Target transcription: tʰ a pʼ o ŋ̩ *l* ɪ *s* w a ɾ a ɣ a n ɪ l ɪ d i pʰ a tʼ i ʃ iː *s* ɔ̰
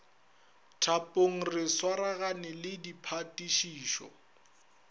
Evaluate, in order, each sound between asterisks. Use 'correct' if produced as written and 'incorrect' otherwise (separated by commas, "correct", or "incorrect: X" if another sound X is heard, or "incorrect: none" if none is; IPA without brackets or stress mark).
incorrect: r, correct, incorrect: ʃ